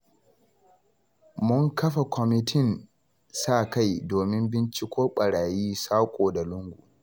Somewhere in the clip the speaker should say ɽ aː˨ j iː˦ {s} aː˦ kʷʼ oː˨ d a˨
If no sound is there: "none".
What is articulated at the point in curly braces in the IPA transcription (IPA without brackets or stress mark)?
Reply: s